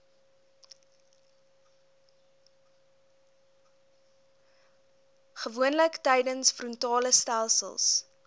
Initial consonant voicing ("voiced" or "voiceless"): voiceless